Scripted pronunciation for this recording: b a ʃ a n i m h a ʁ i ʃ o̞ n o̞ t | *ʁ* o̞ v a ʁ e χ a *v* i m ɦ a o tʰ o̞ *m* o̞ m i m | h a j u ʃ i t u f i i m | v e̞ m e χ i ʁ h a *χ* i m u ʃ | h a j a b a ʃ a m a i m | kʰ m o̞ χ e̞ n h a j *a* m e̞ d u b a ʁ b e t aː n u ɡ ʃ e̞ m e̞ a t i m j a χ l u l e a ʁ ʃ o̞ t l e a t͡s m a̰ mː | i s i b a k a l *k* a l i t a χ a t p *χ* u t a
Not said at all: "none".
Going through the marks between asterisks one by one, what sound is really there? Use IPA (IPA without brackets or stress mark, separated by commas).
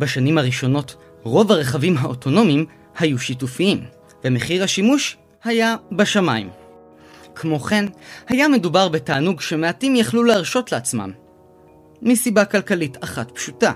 ʁ, v, n, ʃ, a, k, ʃ